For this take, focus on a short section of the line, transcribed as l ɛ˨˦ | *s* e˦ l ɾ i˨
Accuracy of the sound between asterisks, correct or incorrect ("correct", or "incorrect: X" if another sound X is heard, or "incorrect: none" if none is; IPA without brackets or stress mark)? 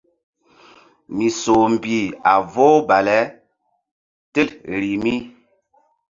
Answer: incorrect: t